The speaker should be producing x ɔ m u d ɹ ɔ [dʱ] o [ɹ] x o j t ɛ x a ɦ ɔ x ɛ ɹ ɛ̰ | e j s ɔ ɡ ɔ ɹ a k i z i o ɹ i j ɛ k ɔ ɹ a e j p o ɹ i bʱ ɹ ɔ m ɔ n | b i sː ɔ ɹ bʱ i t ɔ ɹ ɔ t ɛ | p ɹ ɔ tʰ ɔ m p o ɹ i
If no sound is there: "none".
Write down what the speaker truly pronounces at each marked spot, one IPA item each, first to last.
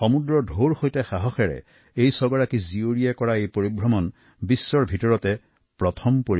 dʱ, ɹ

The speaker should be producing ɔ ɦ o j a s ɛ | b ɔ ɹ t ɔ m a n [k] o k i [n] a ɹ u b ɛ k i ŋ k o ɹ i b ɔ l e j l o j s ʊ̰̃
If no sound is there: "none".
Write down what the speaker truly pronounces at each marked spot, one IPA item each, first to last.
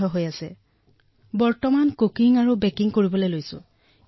k, ŋ

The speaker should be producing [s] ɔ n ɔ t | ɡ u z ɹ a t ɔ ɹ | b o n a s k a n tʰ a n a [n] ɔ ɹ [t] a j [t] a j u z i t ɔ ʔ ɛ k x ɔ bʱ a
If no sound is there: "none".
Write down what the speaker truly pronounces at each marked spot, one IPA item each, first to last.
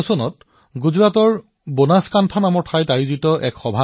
s, m, tʰ, t

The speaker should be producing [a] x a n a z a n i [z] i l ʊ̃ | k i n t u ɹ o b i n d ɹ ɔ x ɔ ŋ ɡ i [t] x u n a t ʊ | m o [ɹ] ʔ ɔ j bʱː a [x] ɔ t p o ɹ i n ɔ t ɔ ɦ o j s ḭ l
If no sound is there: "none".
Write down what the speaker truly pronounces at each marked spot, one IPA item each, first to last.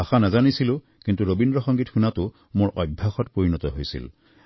a, s, t, ɹ, x

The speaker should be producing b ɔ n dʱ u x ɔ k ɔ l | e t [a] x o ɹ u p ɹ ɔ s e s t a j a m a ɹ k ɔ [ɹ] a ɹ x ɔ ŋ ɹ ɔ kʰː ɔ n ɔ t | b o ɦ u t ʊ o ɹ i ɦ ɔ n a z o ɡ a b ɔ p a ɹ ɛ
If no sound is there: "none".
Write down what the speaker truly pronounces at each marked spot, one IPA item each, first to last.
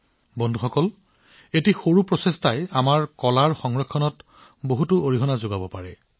i, l

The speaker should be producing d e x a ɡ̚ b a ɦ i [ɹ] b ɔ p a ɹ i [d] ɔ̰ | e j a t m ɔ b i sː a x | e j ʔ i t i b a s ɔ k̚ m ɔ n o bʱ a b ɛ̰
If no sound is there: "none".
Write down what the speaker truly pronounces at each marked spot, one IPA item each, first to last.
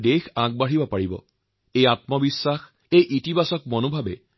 none, b

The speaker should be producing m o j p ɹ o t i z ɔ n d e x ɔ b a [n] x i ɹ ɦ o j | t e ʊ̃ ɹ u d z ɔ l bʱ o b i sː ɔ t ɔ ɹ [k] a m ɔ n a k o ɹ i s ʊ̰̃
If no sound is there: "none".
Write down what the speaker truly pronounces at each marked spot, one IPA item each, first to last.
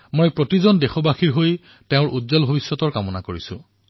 none, k

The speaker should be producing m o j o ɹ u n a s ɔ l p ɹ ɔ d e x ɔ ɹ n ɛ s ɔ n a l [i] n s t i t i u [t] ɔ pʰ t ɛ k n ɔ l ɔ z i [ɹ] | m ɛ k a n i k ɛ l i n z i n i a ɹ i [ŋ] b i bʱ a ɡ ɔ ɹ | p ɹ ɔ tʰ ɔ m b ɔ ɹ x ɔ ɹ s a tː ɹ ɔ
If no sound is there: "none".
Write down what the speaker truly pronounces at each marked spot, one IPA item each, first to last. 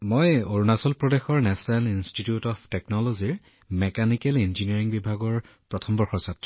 i, t, ɹ, ŋ

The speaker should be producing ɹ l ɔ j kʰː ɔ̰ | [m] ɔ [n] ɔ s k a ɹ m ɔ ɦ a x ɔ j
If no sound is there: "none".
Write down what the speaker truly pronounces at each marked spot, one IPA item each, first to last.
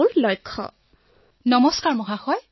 n, m

